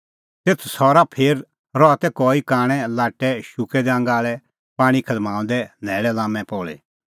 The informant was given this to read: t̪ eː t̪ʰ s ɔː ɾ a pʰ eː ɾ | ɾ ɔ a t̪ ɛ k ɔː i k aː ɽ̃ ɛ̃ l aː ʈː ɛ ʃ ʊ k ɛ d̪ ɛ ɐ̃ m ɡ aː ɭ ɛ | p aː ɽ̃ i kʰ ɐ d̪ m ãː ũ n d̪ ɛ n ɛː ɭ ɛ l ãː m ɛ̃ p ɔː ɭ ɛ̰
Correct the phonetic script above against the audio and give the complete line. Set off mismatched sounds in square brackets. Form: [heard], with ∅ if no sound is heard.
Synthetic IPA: t̪ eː t̪ʰ s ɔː ɾ a pʰ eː ɾ | ɾ ɔ a t̪ ɛ k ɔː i k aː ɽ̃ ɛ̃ l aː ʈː ɛ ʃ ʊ k ɛ d̪ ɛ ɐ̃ [ŋ] ɡ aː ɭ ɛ | p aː ɽ̃ i kʰ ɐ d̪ m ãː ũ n d̪ ɛ n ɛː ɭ ɛ l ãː m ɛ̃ p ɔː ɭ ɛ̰